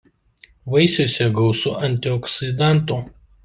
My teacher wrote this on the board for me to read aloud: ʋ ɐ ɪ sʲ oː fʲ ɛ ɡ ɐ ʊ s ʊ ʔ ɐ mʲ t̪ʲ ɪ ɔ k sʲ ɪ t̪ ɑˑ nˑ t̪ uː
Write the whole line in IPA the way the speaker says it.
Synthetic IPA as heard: ʋ ɐ ɪ sʲ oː sʲ ɛ ɡ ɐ ʊ s ʊ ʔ ɐ nʲ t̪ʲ ɪ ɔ k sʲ ɪ d̪ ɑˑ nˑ t̪ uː